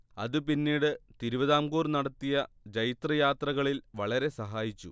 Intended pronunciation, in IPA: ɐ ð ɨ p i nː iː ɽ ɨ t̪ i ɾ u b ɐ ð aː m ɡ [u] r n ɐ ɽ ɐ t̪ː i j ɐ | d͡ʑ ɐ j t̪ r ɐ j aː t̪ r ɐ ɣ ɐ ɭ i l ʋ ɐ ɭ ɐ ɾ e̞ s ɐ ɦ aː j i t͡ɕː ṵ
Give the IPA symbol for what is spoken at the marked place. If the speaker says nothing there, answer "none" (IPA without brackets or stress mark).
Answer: uː